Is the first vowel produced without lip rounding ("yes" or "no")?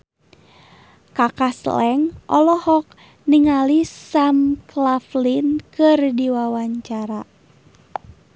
yes